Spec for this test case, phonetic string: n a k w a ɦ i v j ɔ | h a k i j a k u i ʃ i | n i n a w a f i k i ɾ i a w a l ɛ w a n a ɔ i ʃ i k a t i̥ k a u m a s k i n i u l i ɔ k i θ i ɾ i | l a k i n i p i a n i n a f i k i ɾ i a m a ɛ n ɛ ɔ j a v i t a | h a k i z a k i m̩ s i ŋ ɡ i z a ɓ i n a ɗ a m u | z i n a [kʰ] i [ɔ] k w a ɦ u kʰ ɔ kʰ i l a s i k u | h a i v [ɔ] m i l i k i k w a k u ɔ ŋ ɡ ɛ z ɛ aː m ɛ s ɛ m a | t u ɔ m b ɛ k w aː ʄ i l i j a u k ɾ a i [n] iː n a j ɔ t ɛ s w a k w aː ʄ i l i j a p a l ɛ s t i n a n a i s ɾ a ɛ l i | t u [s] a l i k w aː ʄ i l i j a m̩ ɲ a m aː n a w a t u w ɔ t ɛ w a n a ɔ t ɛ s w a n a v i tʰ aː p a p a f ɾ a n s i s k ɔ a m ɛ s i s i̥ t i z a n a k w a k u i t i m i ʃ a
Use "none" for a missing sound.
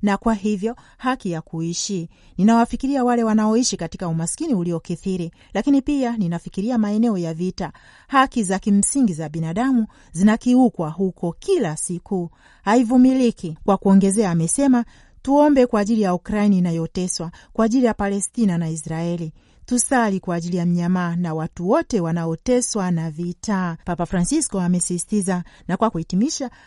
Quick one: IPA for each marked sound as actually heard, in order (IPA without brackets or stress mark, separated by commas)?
k, u, u, n, s